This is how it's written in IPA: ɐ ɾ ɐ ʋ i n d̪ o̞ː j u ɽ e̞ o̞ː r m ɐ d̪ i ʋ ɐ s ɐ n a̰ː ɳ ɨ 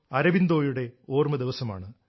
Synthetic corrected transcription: ɐ ɾ ɐ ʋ i n d̪ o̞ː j u ɽ e̞ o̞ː r m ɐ d̪ i ʋ ɐ s ɐ m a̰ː ɳ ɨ